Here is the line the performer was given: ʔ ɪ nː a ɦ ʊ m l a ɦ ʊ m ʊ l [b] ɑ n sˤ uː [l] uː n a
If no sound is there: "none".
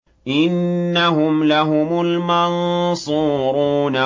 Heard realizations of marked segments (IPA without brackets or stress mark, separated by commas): m, ɾ